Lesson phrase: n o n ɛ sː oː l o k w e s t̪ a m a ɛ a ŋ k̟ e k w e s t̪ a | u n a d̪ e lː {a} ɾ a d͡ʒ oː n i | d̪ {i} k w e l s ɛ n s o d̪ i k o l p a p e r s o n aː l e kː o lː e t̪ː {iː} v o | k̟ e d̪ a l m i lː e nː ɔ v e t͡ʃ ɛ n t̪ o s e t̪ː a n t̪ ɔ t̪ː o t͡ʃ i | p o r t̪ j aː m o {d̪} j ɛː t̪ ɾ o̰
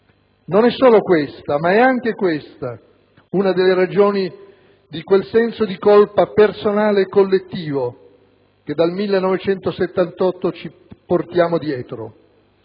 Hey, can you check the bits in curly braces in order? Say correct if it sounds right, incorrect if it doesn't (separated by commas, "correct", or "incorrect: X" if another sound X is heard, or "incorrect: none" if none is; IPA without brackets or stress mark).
incorrect: e, correct, correct, correct